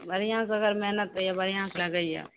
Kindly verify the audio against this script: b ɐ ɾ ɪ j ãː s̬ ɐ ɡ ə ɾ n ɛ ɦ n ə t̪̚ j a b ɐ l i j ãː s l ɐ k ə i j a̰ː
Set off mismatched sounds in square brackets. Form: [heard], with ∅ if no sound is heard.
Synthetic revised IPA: b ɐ ɾ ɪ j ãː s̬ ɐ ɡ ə ɾ [m] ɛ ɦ n ə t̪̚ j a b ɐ [ɾ] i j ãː s l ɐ [ɡ] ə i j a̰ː